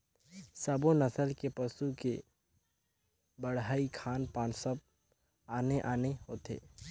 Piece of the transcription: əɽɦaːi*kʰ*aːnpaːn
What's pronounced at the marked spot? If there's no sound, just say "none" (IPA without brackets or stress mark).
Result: kʰ